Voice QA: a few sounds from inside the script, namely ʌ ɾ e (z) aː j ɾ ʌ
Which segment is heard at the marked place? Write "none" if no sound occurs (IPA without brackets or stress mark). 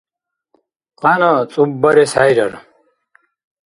s